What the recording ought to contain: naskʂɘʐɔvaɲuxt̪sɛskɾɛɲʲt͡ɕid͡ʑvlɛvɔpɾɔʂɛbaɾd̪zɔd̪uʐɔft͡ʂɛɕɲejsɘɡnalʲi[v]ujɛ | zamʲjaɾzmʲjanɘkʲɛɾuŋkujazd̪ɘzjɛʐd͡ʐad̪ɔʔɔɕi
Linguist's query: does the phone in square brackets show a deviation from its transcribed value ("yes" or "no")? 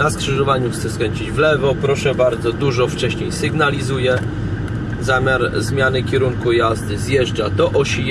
yes